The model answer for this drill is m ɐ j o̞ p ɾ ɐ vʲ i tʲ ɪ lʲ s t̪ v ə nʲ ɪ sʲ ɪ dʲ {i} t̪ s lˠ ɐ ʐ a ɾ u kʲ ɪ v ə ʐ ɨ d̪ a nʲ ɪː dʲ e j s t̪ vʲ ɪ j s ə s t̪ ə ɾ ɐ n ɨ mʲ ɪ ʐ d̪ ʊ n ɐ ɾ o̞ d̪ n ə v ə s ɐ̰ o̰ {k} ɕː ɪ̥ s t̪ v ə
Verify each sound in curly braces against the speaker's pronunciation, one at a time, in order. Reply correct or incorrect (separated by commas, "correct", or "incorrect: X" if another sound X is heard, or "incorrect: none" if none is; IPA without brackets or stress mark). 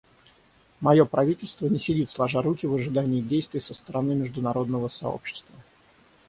correct, incorrect: p